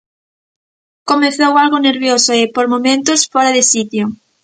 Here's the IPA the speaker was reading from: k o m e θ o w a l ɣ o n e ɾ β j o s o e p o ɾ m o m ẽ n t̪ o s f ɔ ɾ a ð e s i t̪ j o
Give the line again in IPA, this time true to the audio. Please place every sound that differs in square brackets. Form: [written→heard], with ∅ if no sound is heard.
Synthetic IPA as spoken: k o m e θ o w a l ɣ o n e ɾ β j o s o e p o ɾ m o m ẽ n t̪ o s f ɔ ɾ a ð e s i t̪ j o